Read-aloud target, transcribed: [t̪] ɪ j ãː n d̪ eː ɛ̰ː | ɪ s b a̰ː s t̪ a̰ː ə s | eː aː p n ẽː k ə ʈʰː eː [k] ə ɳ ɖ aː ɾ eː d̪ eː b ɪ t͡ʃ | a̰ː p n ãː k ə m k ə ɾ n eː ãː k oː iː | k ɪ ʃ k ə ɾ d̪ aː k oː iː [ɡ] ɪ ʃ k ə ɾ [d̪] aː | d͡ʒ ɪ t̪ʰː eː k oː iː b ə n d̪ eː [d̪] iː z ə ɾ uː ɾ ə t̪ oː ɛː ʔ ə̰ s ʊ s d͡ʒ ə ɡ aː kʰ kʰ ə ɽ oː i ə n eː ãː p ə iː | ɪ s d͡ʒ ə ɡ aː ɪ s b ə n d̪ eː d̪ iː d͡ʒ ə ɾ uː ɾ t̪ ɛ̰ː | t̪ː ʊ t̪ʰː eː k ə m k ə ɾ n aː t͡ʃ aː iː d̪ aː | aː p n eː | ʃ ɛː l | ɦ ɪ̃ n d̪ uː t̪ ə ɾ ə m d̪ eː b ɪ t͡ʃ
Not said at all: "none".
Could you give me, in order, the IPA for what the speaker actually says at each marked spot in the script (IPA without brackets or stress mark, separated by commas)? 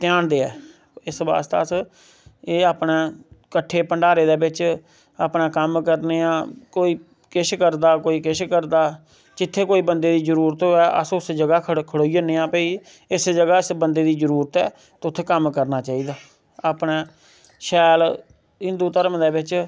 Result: t̪, p, k, d̪, d̪